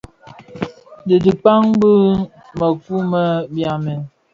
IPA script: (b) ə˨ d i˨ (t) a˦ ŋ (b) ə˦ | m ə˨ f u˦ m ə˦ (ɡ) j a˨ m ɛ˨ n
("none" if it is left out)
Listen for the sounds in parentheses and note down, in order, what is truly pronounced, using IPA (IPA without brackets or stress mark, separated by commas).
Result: d, p, b, b